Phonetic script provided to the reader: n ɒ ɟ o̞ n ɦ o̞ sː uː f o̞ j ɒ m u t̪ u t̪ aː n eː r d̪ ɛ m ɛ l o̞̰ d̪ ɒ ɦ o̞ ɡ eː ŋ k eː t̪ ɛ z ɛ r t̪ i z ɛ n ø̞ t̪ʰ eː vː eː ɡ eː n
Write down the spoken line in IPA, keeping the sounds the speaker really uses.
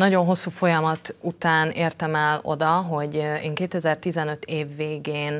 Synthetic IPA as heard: n ɒ ɟ o̞ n ɦ o̞ sː uː f o̞ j ɒ m ɒ t̪ u t̪ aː n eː r t̪ ɛ m ɛ l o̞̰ d̪ ɒ ɦ o̞ ɟ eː ŋ k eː t̪ ɛ z ɛ r t̪ i z ɛ n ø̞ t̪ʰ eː vː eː ɡ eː n